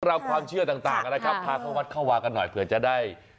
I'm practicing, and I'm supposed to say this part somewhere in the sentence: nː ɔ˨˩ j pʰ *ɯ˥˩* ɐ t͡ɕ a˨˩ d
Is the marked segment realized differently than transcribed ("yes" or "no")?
yes